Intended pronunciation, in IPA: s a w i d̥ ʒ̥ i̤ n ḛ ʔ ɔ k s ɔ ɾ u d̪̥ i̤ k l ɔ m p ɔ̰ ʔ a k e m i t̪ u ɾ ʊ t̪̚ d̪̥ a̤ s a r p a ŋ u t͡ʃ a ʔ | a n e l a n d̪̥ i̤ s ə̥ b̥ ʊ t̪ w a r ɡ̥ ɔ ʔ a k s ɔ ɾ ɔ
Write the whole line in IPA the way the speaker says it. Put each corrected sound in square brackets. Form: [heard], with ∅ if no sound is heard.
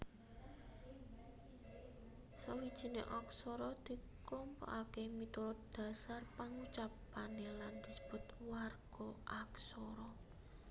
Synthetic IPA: s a w i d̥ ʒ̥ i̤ n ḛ ʔ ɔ k s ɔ ɾ [ɔ] d̪̥ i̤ k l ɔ m p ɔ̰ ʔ a k e m i t̪ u ɾ ʊ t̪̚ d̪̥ a̤ s a r p a ŋ u t͡ʃ a [p] | a n e l a n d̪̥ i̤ s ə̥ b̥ ʊ t̪ w a r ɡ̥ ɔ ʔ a k s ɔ ɾ ɔ